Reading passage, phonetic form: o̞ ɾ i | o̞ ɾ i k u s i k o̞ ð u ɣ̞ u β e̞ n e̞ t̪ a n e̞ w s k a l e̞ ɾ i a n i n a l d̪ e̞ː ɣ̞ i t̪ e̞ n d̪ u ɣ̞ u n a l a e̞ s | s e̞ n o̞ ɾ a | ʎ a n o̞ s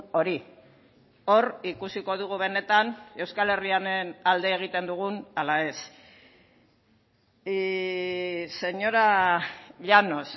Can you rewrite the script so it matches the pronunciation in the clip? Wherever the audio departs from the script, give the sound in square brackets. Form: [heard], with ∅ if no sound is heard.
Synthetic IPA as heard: o̞ ɾ i | o̞ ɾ i k u s i k o̞ ð u ɣ̞ u β e̞ n e̞ t̪ a n e̞ w s k a l e̞ [r] i a n [e] n a l d̪ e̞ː ɣ̞ i t̪ e̞ n d̪ u ɣ̞ u n a l a e̞ s | s e̞ [ɲ] o̞ ɾ a | ʎ a n o̞ s